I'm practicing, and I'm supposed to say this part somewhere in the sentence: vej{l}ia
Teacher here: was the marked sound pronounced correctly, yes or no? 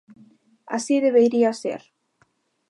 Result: no